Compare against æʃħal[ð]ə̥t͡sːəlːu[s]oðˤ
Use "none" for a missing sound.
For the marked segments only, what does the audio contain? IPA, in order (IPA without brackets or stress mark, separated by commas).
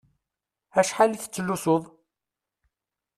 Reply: θ, s